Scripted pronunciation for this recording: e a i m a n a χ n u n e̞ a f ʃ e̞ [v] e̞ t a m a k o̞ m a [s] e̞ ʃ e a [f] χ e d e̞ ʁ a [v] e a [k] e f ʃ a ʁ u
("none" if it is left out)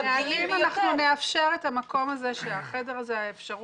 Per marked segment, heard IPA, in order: ʁ, z, none, z, none

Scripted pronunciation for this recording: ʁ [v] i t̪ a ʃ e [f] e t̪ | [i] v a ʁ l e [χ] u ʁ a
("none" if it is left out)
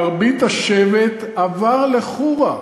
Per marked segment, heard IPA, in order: b, v, a, χ

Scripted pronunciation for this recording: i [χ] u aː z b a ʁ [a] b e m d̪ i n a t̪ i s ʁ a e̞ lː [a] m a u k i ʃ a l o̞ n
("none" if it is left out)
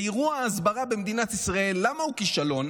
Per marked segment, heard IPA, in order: ʁ, a, a

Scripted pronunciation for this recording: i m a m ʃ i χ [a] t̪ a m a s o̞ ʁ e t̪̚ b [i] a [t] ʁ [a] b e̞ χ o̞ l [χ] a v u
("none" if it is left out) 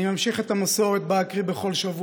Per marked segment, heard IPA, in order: e, a, k, i, ʃ

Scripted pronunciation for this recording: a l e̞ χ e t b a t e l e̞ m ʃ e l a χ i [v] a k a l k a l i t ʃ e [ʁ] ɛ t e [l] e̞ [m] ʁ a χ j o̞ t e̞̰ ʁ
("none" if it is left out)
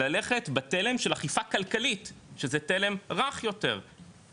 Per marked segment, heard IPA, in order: f, z, l, m

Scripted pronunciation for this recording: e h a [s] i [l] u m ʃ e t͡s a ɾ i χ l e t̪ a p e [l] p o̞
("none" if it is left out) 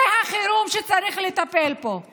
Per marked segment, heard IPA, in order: χ, ɾ, l

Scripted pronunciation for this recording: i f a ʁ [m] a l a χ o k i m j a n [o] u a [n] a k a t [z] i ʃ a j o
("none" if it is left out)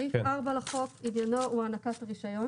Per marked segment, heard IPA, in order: b, o, n, ʁ

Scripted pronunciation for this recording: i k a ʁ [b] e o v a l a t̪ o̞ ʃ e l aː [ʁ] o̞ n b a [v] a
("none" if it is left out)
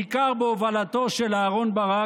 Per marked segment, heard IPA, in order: b, ʁ, ʁ

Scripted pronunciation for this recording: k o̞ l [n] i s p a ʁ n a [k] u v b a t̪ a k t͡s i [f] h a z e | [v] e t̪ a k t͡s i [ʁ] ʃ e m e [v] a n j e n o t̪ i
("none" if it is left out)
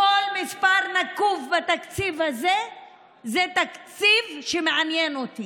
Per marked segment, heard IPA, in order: m, k, v, z, v, ʕ

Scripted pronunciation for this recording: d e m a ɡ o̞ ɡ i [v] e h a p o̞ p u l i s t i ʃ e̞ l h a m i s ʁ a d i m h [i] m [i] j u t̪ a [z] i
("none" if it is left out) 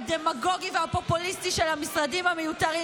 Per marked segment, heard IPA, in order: v, a, e, ʁ

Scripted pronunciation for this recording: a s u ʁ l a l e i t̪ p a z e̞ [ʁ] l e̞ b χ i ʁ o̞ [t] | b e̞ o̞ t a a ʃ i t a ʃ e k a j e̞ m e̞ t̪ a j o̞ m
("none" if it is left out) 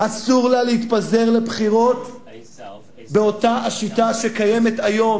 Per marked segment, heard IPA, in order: ʁ, t

